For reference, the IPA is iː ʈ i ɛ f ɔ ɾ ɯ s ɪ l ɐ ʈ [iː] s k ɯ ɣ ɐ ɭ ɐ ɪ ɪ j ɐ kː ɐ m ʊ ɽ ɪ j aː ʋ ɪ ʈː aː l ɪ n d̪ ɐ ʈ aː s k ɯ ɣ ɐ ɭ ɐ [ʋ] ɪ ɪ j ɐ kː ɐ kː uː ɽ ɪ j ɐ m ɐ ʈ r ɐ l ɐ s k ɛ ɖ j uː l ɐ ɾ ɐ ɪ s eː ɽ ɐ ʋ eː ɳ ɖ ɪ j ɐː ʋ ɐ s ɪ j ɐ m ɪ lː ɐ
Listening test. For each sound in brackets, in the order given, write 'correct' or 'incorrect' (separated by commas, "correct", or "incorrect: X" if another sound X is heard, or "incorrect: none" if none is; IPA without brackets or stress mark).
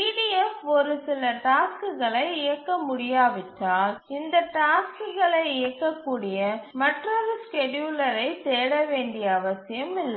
incorrect: aː, incorrect: none